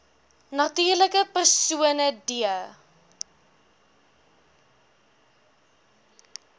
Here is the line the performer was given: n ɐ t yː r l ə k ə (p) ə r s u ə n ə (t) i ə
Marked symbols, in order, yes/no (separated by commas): yes, no